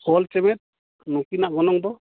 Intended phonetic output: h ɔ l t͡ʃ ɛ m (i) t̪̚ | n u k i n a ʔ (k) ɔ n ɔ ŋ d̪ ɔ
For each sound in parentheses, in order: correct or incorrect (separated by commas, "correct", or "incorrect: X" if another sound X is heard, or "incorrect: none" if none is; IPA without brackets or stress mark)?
incorrect: ɛ, incorrect: ɡ